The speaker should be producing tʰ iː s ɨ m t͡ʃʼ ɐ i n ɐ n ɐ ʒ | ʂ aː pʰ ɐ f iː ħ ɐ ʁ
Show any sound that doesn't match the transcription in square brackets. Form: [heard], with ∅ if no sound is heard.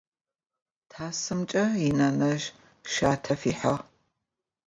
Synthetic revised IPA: tʰ [aː] s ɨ m t͡ʃʼ ɐ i n ɐ n ɐ ʒ | [ʃ] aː [tʰ] ɐ f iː ħ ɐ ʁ